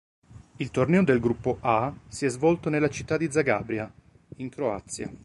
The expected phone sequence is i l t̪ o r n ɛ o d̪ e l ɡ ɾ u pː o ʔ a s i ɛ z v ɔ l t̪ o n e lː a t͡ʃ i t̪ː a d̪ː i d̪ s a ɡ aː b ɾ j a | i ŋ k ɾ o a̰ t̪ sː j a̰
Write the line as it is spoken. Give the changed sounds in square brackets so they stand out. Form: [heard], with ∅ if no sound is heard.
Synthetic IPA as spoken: i l t̪ o r n ɛ o d̪ e l ɡ ɾ u pː o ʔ a s i ɛ z v ɔ l t̪ o n e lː a t͡ʃ i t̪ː a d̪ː i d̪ [z] a ɡ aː b ɾ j a | i ŋ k ɾ o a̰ t̪ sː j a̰